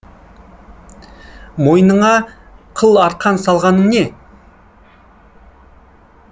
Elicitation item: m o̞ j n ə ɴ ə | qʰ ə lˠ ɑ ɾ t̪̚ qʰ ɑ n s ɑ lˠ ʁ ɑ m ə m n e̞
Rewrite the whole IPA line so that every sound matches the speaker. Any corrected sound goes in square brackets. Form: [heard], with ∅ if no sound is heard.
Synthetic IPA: m o̞ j n ə ɴ [ɑ] | qʰ ə lˠ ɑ ɾ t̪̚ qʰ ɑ n s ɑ lˠ ʁ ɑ [n] ə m n e̞